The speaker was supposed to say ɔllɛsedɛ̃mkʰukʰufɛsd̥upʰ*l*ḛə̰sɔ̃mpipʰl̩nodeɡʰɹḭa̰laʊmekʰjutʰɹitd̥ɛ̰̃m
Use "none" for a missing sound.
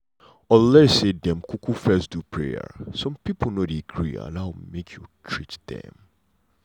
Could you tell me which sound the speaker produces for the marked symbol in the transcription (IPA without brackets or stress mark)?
ɹ